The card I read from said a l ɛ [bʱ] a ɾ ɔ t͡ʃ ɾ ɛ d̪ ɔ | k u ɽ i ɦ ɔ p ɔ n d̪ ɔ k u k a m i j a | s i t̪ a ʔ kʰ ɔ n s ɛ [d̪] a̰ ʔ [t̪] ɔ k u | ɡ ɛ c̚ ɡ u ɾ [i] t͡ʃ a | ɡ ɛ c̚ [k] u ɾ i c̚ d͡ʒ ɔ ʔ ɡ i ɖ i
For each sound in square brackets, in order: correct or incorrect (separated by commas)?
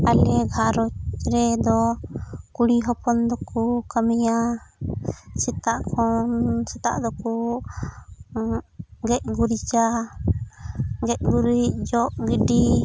incorrect, incorrect, incorrect, correct, incorrect